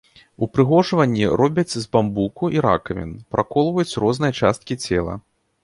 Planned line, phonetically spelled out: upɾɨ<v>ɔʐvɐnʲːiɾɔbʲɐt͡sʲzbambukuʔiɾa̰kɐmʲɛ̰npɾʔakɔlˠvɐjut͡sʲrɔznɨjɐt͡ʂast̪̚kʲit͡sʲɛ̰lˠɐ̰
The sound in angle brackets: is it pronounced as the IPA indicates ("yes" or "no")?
no